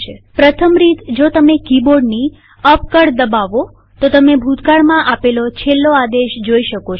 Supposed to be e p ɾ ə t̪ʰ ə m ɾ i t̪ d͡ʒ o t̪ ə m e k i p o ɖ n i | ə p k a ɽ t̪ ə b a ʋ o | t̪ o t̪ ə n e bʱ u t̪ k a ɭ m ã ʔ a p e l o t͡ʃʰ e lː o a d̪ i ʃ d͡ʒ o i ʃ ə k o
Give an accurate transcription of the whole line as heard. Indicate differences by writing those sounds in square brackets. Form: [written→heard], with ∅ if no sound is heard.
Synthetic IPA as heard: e p ɾ ə t̪ʰ ə m ɾ i t̪ d͡ʒ o t̪ ə m e k i [p→b] o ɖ n i | ə p k [a→ə] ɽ [t̪→d̪] ə b a ʋ o | t̪ o t̪ ə [n→m] e bʱ u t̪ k a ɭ m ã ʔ a p e l o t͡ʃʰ e lː o a d̪ [i→e] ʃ d͡ʒ o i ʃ ə k o